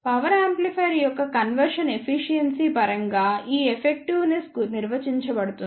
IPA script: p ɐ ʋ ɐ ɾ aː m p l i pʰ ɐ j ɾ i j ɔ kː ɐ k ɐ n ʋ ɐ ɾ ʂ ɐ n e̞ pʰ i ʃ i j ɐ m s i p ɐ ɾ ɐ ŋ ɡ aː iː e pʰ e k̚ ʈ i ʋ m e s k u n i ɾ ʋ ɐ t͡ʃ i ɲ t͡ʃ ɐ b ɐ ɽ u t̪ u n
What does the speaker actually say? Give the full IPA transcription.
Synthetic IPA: p ɐ ʋ ɐ ɾ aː m p l i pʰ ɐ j ɾ i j ɔ kː ɐ k ɐ n ʋ ɐ ɾ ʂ ɐ n e̞ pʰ i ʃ i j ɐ n s i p ɐ ɾ ɐ ŋ ɡ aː iː e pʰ e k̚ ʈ i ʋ n e s k u n i ɾ ʋ ɐ t͡ʃ i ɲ t͡ʃ ɐ b ɐ ɽ u t̪ u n